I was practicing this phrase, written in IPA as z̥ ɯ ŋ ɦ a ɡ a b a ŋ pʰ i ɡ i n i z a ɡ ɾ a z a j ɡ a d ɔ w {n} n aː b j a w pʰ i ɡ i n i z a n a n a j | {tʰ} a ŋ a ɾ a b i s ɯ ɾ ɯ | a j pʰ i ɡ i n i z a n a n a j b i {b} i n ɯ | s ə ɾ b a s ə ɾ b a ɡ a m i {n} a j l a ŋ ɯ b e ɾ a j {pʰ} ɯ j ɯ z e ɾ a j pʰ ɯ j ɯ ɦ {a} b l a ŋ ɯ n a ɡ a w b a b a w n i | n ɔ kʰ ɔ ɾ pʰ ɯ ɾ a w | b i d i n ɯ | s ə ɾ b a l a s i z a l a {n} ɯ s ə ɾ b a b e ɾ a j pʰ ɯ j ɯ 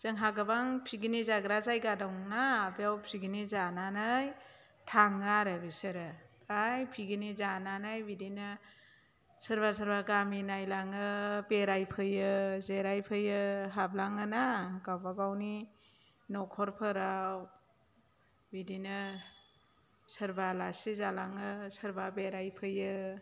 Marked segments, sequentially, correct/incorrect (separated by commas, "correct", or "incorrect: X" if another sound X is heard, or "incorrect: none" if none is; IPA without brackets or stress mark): incorrect: ŋ, correct, incorrect: d, correct, correct, correct, incorrect: ŋ